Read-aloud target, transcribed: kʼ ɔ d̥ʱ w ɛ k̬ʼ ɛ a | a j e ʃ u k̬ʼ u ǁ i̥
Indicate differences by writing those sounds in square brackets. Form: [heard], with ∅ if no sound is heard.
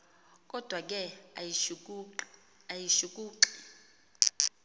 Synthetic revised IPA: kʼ ɔ d̥ʱ w [a] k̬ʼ ɛ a | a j [i] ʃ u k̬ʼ [uː] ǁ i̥